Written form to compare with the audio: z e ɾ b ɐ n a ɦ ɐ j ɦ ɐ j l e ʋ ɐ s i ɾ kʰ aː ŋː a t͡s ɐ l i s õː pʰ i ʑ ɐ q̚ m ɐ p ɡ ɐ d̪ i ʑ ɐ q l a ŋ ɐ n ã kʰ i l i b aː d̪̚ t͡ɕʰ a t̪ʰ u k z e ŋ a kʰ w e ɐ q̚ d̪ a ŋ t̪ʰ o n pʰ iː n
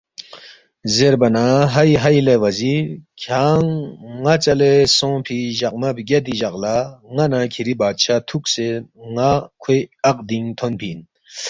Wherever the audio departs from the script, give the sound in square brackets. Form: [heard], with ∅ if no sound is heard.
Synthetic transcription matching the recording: z e ɾ b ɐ n a ɦ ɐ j ɦ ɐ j l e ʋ ɐ [z] i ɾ kʰ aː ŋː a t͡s ɐ l [e] s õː pʰ i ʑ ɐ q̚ m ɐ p ɡ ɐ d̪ i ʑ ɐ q l a ŋ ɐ n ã kʰ i [ɾ] i b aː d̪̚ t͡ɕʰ a t̪ʰ u k [s] e ŋ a kʰ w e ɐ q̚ d̪ [i] ŋ t̪ʰ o n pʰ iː n